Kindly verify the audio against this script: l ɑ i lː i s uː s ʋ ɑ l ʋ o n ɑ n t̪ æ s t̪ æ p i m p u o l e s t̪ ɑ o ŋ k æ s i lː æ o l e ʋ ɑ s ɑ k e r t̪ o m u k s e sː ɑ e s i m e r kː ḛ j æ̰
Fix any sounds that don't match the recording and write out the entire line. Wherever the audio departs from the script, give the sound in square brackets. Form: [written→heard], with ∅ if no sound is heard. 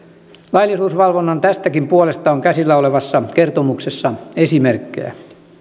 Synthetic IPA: l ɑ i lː i s uː s ʋ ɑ l ʋ o [n→nː] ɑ n t̪ æ s t̪ æ [p→k] i m p u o l e s t̪ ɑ o ŋ k æ s i lː æ o l e ʋ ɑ [s→sː] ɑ k e r t̪ o m u k s e sː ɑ e s i m e r kː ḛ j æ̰